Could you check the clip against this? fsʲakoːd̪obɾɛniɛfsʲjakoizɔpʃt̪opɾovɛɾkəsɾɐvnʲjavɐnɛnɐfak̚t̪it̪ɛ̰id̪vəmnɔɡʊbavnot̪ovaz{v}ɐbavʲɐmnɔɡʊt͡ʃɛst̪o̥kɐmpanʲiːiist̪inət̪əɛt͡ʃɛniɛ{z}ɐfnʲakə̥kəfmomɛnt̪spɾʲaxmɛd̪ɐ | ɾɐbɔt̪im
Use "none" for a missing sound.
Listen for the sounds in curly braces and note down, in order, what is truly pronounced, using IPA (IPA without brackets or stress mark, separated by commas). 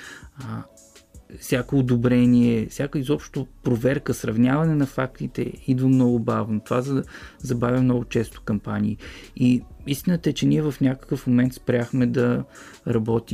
z, v